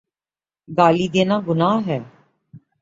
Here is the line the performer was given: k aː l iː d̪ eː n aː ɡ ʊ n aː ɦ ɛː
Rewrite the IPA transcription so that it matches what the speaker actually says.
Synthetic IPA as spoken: ɡ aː l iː d̪ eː n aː ɡ ʊ n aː ɦ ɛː

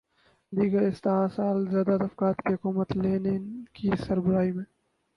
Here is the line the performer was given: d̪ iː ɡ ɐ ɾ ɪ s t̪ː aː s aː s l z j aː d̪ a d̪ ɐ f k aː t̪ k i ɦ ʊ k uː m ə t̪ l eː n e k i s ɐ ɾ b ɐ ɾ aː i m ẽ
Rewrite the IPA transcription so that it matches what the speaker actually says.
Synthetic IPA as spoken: d̪ iː ɡ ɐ ɾ ɪ s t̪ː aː s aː l z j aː d̪ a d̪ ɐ f k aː t̪ k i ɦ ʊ k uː m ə t̪ l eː n e k i s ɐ ɾ b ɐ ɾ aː i m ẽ

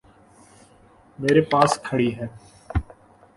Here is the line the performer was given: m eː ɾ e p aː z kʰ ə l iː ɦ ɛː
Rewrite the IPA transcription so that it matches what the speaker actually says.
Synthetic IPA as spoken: m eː ɾ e p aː s kʰ ə ɽ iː ɦ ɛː

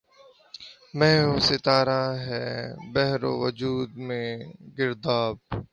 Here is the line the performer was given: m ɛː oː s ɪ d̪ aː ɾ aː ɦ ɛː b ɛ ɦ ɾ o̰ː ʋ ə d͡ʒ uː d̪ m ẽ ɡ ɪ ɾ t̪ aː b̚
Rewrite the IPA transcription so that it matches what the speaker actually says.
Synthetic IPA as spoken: m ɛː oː s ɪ t̪ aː ɾ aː ɦ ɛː b ɛ ɦ ɾ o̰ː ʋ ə d͡ʒ uː d̪ m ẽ ɡ ɪ ɾ d̪ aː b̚

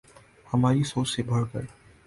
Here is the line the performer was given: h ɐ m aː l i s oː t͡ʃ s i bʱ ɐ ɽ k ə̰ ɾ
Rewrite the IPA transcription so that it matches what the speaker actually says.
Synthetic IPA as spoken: h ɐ m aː ɾ i s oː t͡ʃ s e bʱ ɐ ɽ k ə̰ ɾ

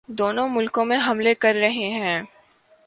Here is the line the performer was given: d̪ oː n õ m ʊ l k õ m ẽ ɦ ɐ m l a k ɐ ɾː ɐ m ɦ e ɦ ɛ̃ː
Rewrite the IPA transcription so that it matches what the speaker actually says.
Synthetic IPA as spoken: d̪ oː n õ m ʊ l k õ m ẽ ɦ ɐ m l e k ɐ ɾː ɐ ɦ e ɦ ɛ̃ː

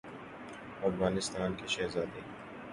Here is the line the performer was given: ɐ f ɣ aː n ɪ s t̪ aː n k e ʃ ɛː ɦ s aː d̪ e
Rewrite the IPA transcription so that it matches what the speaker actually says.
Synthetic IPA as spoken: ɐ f ɣ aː n ɪ s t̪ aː n k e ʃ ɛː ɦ z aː d̪ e

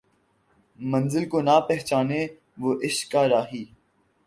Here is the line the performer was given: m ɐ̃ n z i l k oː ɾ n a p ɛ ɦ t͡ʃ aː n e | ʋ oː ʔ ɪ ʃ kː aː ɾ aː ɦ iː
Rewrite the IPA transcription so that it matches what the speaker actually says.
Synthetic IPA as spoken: m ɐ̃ n z ɪ l k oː n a p ɛ ɦ t͡ʃ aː n e | ʋ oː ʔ ɪ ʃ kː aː ɾ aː ɦ iː

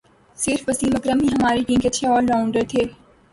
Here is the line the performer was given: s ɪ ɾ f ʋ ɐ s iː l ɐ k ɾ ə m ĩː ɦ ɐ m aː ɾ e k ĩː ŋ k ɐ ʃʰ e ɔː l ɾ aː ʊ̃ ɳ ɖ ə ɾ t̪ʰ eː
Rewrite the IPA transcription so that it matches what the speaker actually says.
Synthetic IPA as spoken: s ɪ ɾ f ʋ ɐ s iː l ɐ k ɾ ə m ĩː ɦ ɐ m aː ɾ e k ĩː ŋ k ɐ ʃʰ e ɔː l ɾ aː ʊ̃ ɳ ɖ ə ɾ t̪ʰ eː

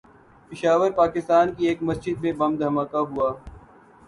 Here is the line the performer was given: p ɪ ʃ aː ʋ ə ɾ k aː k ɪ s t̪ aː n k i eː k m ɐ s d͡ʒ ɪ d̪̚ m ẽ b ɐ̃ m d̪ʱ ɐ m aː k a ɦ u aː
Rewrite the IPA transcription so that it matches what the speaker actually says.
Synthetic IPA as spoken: p ɪ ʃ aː ʋ ə ɾ p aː k ɪ s t̪ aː n k i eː k m ɐ s d͡ʒ ɪ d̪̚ m ẽ b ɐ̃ m d̪ʱ ɐ m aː k a ɦ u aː

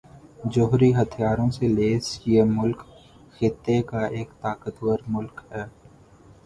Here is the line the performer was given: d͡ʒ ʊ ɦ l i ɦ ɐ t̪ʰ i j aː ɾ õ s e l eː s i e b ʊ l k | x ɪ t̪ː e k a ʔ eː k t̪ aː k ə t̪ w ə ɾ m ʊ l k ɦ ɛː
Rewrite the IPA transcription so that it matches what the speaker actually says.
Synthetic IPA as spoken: d͡ʒ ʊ ɦ ɾ i ɦ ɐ t̪ʰ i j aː ɾ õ s e l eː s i e m ʊ l k | x ɪ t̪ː e k a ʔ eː k t̪ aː k ə t̪ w ə ɾ m ʊ l k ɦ ɛː

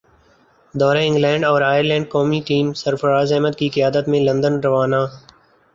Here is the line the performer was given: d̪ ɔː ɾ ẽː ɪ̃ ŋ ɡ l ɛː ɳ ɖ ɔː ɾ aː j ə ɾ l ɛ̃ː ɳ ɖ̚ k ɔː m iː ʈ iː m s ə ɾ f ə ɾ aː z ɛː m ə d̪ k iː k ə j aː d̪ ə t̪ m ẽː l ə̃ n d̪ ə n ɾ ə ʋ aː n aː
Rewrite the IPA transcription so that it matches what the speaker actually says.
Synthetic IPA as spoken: d̪ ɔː ɾ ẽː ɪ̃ ŋ ɡ l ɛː ɳ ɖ ɔː ɾ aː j ə ɾ l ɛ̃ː ɳ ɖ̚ k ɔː m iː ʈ iː m s ə ɾ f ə ɾ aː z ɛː m ə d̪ k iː k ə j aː d̪ ə t̪ m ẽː l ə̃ n d̪ ə n ɾ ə ʋ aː n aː

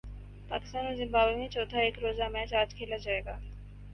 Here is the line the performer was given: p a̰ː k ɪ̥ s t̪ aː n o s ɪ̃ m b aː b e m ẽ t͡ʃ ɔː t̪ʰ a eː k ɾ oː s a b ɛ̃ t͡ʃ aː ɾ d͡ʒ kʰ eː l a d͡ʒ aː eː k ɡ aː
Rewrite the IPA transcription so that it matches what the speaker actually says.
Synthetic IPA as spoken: p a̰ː k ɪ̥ s t̪ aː n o z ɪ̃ m b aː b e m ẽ t͡ʃ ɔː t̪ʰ a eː k ɾ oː z a m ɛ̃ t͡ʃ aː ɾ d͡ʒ kʰ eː l a d͡ʒ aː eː ɡ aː

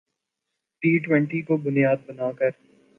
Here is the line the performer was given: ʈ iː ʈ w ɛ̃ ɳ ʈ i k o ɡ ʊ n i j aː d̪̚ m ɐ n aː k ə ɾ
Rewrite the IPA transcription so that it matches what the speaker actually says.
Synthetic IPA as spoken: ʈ iː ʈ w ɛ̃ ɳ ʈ i k o b ʊ n i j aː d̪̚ b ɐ n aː k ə ɾ

